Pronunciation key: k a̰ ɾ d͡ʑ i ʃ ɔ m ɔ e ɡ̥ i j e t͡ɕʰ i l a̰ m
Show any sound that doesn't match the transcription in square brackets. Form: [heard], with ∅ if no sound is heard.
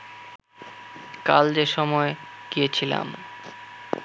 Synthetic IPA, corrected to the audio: k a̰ [l] d͡ʑ [e] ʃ ɔ m ɔ e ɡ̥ i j e t͡ɕʰ i l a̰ m